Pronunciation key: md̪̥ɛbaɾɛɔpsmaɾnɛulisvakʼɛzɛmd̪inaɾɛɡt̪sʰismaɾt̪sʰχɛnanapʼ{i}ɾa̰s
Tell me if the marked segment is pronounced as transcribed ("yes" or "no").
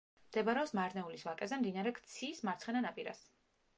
yes